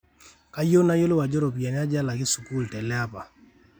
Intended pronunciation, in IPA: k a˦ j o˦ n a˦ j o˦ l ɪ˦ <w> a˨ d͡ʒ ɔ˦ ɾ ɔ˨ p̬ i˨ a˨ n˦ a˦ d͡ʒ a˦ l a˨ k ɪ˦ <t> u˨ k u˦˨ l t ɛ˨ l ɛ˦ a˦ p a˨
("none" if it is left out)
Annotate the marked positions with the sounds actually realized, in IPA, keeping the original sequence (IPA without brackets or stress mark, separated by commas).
w, s